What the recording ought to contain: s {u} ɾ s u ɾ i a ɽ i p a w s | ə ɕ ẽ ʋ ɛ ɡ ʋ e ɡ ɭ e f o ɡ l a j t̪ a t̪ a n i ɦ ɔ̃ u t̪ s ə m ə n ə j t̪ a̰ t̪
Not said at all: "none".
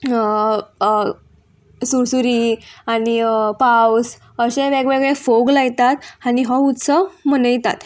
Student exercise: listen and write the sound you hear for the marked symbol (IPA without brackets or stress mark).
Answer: u